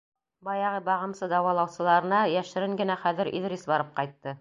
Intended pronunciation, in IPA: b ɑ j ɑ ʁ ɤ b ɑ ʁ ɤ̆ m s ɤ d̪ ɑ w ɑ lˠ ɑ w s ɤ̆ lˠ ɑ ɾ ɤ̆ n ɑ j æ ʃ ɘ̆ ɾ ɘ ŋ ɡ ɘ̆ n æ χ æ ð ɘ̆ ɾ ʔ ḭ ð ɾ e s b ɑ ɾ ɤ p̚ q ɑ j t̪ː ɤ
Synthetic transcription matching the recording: b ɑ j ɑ ʁ ɤ b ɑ ʁ ɤ̆ m s ɤ d̪ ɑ w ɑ lˠ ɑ w s ɤ̆ lˠ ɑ ɾ ɤ̆ n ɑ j æ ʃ ɘ̆ ɾ ɘ ŋ ɡ ɘ̆ n æ χ æ ð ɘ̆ ɾ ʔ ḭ ð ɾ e s b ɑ ɾ ɤ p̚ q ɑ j t̪ː ɤ